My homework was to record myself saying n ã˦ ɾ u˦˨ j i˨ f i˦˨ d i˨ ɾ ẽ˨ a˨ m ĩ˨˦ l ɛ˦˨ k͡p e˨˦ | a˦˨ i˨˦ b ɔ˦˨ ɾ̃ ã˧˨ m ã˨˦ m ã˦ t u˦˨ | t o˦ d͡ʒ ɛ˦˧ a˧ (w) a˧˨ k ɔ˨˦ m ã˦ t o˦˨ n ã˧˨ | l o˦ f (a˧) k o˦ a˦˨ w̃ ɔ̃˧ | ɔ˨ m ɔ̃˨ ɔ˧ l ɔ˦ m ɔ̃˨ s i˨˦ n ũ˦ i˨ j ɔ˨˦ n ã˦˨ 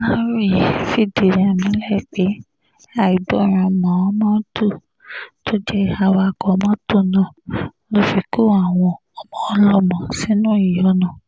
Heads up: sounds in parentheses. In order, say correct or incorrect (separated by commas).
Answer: correct, incorrect